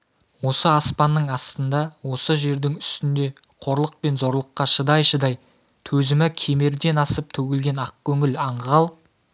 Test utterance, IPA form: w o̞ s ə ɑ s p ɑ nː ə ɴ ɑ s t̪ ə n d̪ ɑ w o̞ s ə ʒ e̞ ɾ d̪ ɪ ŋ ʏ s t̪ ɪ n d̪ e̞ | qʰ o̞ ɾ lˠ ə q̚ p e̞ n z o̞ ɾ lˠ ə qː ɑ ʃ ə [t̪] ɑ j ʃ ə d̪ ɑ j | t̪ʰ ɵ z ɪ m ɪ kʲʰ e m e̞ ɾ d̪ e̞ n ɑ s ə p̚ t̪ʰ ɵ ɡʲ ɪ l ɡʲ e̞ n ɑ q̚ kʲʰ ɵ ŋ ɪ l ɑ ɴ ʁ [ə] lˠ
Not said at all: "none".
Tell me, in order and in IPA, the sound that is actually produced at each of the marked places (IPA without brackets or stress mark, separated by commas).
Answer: d̪, ɑ